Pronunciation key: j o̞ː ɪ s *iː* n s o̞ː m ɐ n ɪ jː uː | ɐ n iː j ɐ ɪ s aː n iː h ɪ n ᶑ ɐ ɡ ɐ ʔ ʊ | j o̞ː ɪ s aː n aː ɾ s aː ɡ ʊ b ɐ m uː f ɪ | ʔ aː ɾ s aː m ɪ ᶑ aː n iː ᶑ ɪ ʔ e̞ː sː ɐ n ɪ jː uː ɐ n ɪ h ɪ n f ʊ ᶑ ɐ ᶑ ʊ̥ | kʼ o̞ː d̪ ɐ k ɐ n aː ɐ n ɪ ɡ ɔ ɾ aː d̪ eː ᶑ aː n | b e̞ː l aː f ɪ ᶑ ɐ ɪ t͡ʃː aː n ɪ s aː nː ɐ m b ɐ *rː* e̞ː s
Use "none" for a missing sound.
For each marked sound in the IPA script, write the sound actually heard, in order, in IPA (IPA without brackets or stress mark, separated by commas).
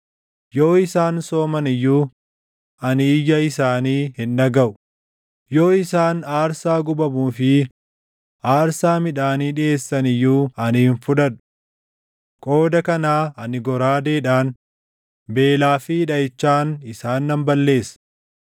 aː, lː